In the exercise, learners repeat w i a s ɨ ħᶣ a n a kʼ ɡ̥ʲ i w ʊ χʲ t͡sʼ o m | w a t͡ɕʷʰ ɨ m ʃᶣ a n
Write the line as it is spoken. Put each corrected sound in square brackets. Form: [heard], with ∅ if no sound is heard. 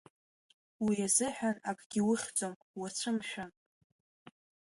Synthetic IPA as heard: w i a [z] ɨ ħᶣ a n a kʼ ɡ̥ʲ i w ʊ χʲ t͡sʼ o m | w a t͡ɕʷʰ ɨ m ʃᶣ a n